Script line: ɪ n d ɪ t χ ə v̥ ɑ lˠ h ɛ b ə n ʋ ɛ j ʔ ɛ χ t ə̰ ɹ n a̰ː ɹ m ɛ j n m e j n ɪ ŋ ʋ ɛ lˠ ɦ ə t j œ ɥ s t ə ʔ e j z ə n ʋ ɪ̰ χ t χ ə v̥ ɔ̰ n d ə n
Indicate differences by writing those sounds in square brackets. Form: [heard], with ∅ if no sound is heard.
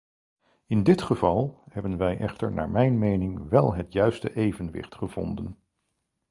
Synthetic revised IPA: ɪ n d ɪ t χ ə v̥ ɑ lˠ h ɛ b ə n ʋ ɛ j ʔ ɛ χ t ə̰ ɹ n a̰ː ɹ m ɛ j n m e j n ɪ ŋ ʋ ɛ lˠ ɦ ə t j œ ɥ s t ə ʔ e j [v] ə n ʋ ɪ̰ χ t χ ə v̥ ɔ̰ n d ə n

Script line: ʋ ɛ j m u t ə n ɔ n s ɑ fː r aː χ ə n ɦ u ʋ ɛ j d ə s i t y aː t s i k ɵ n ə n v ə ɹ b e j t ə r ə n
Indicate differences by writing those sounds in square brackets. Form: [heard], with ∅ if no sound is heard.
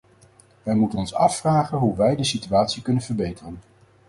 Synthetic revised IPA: ʋ ɛ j m u t ə n ɔ n s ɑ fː r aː χ ə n ɦ u ʋ ɛ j d ə s i t y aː t s i k ɵ n ə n v ə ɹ b e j t ə r ə n

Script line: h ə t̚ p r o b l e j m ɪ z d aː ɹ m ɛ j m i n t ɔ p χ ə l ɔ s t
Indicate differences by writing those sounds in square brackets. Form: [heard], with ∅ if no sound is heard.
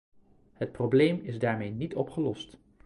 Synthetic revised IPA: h ə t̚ p r o b l e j m ɪ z d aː ɹ m [e] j [n] i [∅] t ɔ p χ ə l ɔ s t

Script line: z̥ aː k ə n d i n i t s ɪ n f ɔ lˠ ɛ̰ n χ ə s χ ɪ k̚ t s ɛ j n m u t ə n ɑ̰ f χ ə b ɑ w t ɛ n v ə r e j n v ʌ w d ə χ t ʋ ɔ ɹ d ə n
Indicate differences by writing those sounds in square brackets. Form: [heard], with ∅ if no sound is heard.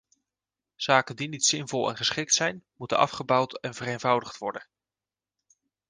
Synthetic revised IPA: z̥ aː k ə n d i n i t s ɪ n [v] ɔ lˠ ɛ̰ n χ ə s χ ɪ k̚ t s ɛ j n m u t ə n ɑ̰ f χ ə b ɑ w t ɛ n v ə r e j n v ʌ w d ə χ t ʋ ɔ ɹ d ə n

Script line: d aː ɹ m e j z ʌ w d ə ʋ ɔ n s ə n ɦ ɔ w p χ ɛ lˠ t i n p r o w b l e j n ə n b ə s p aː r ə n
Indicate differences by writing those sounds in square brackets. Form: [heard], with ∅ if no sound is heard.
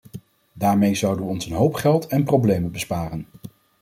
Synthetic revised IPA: d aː ɹ m e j z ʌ w d ə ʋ ɔ n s ə n ɦ [o] w p χ ɛ lˠ t [ɛ] n p r o w b l e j [m] ə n b ə s p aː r ə n

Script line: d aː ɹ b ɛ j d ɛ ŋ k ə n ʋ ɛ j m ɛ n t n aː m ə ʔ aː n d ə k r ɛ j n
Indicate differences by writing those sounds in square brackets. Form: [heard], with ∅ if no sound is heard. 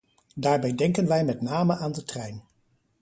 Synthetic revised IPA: d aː ɹ b ɛ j d ɛ ŋ k ə n ʋ ɛ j m ɛ [∅] t n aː m ə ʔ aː n d ə [t] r ɛ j n

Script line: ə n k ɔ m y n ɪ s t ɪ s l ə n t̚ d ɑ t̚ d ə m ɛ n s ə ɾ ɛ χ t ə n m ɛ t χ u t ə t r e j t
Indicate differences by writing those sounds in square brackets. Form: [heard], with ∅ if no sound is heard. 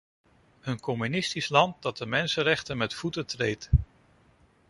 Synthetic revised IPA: ə n k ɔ m y n ɪ s t [i] s l [ɑ] n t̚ d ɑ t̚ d ə m ɛ n s ə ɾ ɛ χ t ə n m ɛ t [f] u t ə t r e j t

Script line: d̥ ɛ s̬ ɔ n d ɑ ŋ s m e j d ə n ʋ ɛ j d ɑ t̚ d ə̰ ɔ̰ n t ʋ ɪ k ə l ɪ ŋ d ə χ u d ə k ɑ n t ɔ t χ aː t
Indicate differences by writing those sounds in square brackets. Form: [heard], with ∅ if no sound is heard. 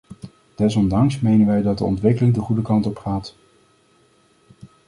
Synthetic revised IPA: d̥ ɛ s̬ ɔ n d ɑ ŋ s m e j [n] ə n ʋ ɛ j d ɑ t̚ d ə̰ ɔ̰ n t ʋ ɪ k ə l ɪ ŋ d ə χ u d ə k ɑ n t ɔ [p] χ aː t

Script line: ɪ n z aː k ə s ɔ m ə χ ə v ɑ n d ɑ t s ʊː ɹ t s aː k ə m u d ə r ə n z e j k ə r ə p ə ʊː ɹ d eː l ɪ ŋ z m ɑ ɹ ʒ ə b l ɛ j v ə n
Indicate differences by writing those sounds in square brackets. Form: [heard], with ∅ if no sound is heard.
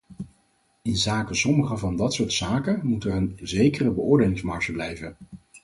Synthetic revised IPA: ɪ n z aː k ə s ɔ m ə χ ə v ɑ n d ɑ t s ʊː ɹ t s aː k ə m u [t] ə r ə n z e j k ə r ə [b] ə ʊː ɹ d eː l ɪ ŋ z m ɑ ɹ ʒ ə b l ɛ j v ə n

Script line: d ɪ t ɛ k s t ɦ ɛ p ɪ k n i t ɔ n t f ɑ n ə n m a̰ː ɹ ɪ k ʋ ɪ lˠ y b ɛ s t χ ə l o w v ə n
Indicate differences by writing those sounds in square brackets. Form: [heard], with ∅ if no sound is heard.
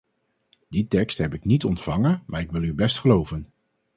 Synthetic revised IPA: d [i] t ɛ k s t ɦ ɛ p ɪ k n i t ɔ n t f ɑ [ŋ] ə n m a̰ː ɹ ɪ k ʋ ɪ lˠ y b ɛ s t χ ə l o w v ə n

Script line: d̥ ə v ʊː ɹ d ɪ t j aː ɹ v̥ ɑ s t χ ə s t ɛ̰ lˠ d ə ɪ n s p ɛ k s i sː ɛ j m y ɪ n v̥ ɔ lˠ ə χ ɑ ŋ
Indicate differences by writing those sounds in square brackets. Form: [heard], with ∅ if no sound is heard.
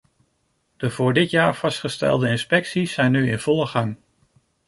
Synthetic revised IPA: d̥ ə v ʊː ɹ d ɪ t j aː ɹ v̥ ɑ s t χ ə s t ɛ̰ lˠ d ə ɪ n s p ɛ k s i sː ɛ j [n] y ɪ n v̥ ɔ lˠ ə χ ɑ ŋ

